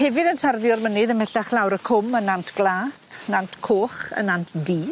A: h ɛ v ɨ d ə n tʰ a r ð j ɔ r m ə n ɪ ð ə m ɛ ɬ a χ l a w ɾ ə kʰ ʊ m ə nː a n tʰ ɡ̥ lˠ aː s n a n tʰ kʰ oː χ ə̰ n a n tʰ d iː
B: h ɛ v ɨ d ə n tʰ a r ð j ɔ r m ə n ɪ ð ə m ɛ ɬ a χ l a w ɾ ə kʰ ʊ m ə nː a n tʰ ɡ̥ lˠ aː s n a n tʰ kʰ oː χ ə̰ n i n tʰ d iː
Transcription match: A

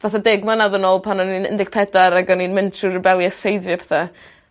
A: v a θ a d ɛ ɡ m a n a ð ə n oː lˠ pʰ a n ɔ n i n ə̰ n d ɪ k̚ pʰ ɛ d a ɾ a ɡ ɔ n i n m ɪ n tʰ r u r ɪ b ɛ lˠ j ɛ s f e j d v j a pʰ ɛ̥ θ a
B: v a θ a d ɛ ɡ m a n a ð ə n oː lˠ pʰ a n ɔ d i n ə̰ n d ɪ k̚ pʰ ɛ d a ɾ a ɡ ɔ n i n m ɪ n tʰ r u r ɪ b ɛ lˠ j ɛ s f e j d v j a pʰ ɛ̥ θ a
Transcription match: A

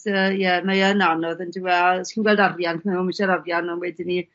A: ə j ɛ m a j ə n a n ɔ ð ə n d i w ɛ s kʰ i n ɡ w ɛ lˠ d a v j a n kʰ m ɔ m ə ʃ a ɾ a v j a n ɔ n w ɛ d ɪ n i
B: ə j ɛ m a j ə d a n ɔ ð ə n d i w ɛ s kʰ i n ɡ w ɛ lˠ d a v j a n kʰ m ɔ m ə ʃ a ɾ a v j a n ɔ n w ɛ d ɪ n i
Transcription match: A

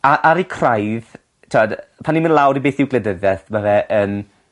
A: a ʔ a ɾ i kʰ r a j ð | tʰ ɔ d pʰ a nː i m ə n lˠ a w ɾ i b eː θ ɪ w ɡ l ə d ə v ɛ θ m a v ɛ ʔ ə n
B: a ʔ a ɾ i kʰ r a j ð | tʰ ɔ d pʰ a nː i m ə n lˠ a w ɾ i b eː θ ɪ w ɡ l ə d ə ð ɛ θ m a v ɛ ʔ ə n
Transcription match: B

